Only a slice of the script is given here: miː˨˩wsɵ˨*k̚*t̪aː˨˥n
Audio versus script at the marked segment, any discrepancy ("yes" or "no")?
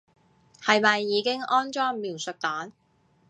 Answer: no